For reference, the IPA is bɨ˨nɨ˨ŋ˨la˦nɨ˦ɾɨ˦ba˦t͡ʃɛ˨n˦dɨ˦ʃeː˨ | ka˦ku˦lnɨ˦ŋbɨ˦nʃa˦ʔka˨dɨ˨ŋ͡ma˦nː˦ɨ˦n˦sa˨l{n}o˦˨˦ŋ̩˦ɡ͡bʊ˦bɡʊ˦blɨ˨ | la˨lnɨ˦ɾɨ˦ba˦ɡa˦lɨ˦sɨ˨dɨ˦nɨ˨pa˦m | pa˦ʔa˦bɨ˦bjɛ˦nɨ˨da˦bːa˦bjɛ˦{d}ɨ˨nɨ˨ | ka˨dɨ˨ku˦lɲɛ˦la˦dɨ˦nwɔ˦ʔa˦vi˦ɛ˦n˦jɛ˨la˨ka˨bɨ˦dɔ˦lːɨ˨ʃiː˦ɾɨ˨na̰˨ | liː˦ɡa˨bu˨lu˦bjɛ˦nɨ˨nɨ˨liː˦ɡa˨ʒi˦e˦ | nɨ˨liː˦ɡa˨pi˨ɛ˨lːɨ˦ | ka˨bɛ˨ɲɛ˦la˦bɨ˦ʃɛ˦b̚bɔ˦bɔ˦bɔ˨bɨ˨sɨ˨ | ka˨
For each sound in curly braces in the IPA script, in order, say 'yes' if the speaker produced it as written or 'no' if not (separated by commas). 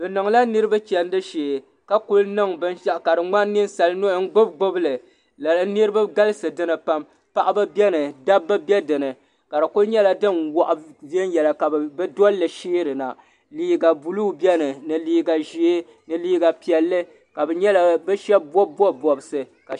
yes, yes